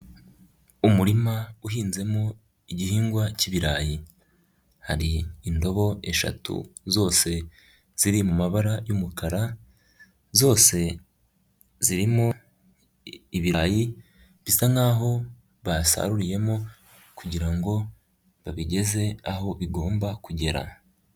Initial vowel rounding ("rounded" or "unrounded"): rounded